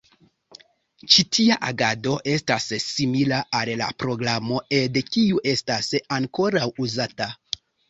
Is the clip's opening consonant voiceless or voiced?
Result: voiceless